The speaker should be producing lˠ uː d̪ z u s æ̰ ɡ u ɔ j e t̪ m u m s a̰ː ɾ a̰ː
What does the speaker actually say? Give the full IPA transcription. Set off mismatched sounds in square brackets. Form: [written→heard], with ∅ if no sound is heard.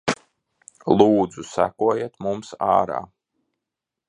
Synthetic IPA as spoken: lˠ uː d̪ z u s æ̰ [ɡ→k] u ɔ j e t̪ m u m s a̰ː ɾ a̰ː